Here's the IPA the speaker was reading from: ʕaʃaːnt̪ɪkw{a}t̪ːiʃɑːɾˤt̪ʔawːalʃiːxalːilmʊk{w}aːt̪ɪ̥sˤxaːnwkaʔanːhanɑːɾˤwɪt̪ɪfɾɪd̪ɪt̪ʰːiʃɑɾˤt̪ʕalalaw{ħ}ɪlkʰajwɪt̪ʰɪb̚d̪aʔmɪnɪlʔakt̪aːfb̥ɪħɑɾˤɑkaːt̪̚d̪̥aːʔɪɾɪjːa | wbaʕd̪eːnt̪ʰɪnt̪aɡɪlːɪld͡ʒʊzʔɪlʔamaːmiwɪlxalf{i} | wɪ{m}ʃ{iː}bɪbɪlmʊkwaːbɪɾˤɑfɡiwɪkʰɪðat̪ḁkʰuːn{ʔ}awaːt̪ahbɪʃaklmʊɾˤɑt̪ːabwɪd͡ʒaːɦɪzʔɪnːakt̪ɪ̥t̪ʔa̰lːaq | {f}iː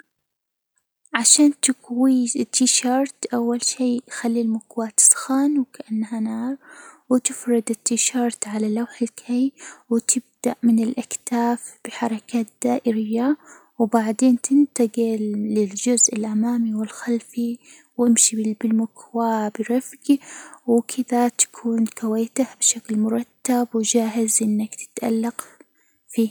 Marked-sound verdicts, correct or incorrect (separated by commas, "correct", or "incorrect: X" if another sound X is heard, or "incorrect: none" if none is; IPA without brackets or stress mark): incorrect: i, correct, correct, correct, correct, incorrect: i, incorrect: k, correct